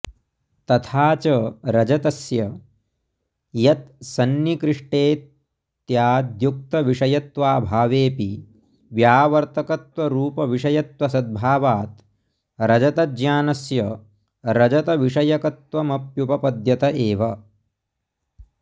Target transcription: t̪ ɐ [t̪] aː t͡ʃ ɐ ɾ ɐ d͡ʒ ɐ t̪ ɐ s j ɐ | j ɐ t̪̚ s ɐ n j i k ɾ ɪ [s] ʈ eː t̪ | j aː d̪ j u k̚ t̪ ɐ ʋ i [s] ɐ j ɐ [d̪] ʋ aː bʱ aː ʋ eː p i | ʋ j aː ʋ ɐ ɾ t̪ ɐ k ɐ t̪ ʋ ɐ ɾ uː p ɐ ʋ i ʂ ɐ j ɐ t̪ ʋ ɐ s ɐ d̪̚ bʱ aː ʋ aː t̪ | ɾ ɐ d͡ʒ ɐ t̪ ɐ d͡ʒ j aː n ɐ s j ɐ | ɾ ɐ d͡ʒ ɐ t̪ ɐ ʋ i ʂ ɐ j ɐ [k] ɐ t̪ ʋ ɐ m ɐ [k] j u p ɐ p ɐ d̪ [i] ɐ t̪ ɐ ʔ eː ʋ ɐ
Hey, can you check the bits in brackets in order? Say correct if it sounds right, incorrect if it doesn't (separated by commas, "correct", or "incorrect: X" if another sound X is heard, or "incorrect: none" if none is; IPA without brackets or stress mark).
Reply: incorrect: t̪ʰ, incorrect: ʂ, incorrect: ʂ, incorrect: t̪, correct, incorrect: p, incorrect: j